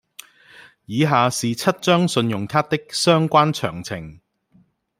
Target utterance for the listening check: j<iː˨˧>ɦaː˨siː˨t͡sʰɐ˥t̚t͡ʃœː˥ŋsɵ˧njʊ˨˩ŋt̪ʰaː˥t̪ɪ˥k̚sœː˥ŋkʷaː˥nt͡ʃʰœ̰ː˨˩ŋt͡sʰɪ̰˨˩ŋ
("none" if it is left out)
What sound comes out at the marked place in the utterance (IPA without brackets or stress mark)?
iː˨˧